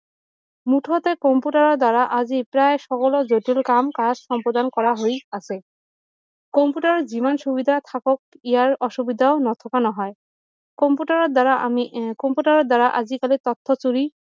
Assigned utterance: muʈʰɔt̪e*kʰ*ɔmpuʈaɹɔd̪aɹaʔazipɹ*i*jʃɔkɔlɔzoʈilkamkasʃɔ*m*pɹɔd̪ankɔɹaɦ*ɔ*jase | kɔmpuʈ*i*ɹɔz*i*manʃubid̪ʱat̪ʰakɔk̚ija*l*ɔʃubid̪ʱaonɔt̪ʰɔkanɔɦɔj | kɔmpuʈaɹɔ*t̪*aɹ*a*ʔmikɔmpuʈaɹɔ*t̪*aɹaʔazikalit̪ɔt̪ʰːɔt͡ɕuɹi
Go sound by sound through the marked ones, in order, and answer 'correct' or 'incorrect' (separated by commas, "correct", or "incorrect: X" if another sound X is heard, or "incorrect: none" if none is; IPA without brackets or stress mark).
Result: incorrect: k, incorrect: a, correct, incorrect: o, incorrect: a, correct, incorrect: ɹ, incorrect: d̪, correct, incorrect: d̪